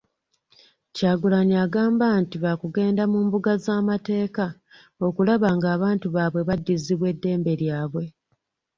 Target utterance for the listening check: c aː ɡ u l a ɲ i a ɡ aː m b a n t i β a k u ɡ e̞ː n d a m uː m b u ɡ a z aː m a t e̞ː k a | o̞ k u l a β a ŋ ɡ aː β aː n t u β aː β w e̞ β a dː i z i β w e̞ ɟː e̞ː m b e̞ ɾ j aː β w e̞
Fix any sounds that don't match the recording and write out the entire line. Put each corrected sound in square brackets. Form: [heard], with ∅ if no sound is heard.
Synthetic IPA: c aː ɡ u l a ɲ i a ɡ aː m b a n t i β a k u ɡ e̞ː n d a m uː m b u ɡ a z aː m a t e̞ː k a | o̞ k u l a β a ŋ ɡ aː β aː n t u β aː β w e̞ β a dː i z i β w e̞ [dː] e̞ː m b e̞ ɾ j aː β w e̞